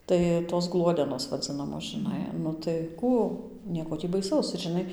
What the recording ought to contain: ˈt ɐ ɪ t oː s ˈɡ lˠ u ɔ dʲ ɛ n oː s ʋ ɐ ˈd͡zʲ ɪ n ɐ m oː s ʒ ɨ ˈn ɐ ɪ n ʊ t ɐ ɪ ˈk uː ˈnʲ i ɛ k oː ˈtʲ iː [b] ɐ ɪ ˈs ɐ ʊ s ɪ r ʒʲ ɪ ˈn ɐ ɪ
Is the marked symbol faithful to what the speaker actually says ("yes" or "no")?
yes